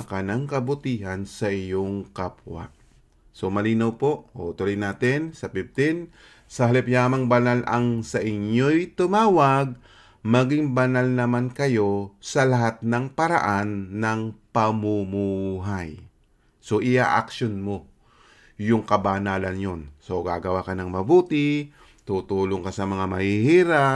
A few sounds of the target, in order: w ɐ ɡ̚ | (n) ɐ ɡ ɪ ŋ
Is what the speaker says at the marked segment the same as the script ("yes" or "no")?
no